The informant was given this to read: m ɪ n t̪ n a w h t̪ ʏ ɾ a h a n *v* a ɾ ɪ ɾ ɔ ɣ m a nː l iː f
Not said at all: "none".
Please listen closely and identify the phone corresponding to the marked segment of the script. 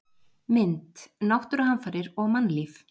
f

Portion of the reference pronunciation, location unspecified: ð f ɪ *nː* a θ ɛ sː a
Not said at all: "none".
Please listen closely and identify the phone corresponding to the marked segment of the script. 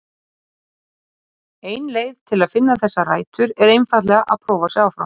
nː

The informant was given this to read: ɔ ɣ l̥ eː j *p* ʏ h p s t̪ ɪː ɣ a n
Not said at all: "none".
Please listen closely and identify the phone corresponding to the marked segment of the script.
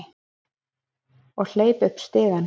p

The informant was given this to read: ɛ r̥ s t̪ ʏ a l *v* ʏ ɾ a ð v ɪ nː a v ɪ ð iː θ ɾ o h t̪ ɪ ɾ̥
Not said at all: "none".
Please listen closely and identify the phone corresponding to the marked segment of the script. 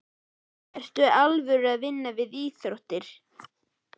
v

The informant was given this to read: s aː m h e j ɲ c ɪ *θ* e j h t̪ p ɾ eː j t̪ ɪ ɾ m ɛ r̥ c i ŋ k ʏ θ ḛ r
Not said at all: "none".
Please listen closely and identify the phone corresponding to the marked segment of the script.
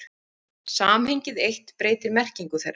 ð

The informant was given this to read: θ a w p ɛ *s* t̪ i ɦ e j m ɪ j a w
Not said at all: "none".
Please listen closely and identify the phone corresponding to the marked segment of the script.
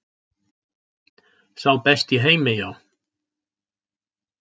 s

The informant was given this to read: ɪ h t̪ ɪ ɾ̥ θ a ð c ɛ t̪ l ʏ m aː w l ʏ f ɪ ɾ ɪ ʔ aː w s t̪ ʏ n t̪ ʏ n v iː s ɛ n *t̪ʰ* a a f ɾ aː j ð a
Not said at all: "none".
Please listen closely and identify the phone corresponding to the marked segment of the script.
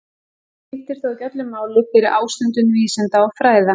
t̪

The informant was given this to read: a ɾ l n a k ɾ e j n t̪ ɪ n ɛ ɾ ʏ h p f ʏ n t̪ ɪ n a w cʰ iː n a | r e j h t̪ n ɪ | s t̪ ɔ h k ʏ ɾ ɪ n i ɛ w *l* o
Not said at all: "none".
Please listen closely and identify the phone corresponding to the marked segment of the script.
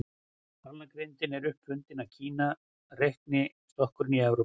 ɾ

